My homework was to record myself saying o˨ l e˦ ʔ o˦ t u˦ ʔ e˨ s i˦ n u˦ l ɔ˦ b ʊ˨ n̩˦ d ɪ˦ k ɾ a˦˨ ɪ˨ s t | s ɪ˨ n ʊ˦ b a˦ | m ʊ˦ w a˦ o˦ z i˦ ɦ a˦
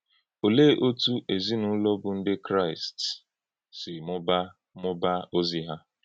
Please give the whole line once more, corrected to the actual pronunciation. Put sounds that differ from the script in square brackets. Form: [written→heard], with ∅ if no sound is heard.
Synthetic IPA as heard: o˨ l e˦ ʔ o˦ t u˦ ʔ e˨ [s→z] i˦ n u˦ l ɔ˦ b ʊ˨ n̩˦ d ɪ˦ k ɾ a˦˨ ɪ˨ s t | s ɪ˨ [n→m] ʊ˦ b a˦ | m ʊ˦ [w→b] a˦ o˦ z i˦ ɦ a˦